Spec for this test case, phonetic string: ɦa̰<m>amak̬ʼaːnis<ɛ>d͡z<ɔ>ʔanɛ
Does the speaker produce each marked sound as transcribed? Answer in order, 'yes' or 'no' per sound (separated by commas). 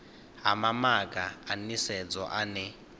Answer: yes, yes, yes